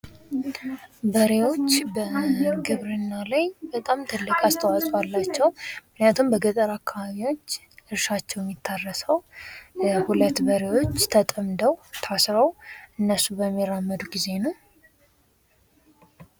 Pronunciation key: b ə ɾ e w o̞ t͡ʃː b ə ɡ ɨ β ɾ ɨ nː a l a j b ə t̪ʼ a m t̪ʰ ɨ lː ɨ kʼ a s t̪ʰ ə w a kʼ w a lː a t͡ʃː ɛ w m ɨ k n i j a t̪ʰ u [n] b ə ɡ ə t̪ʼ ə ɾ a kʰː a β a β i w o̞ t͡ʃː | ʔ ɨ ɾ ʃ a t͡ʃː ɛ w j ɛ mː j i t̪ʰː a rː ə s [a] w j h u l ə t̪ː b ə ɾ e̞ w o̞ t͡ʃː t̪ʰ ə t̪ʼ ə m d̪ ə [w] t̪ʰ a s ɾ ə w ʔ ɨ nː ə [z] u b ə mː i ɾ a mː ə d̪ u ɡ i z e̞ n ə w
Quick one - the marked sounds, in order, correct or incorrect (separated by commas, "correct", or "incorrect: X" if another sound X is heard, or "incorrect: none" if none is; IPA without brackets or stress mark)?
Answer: incorrect: m, incorrect: ə, correct, incorrect: s